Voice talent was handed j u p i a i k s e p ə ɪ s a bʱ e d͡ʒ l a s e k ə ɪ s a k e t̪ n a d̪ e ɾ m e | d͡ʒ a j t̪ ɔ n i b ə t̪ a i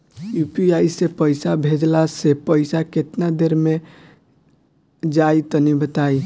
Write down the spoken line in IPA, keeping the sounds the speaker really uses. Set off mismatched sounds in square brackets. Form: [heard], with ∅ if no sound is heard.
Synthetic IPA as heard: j u p i a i [∅] s e p ə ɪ s a bʱ e d͡ʒ l a s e [p] ə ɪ s a k e t̪ n a d̪ e ɾ m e | d͡ʒ a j t̪ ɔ n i b ə t̪ a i